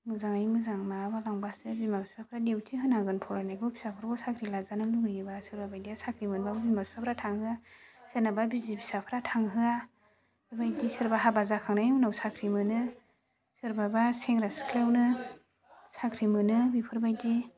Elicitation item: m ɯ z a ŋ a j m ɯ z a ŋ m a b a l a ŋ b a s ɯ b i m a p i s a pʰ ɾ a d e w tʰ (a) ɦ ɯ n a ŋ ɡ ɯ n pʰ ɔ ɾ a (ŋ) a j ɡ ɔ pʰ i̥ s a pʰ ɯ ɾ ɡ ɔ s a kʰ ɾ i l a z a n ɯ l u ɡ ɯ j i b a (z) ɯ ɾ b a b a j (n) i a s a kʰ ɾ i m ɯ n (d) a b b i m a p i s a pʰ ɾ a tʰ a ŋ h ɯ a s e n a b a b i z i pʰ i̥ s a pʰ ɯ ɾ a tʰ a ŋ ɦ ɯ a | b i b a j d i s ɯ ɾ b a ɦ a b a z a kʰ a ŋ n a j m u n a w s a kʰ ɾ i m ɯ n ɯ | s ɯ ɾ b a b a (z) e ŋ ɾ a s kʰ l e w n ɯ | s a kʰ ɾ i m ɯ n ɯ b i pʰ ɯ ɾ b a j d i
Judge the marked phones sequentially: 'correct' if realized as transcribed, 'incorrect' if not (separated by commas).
incorrect, incorrect, incorrect, incorrect, incorrect, incorrect